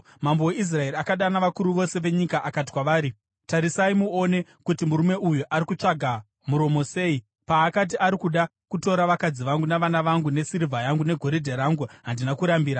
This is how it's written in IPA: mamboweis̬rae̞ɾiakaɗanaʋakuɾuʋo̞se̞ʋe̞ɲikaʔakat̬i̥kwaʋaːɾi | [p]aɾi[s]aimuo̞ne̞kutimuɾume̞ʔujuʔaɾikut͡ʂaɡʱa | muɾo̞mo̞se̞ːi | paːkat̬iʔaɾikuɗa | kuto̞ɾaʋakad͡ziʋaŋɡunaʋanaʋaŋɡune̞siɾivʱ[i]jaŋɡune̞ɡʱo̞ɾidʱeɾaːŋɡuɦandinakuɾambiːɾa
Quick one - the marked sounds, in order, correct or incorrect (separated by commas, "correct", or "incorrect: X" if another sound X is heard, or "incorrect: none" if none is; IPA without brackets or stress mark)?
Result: incorrect: t, correct, incorrect: a